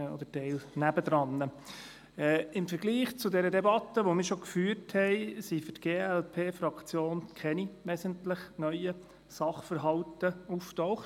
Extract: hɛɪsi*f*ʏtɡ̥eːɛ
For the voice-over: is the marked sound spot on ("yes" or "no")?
yes